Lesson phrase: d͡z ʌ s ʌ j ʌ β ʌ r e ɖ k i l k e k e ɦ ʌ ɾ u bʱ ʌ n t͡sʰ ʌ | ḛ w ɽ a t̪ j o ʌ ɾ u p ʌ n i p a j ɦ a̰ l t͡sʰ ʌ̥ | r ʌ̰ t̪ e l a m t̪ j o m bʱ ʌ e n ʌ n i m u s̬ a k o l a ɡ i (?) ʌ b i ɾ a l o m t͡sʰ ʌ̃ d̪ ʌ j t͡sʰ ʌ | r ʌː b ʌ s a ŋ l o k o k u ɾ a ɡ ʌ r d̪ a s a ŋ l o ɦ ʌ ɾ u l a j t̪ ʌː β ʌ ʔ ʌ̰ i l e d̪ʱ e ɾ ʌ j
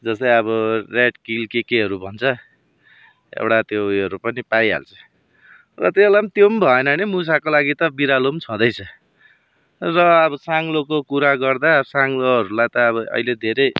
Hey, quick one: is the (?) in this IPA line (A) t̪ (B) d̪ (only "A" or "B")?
A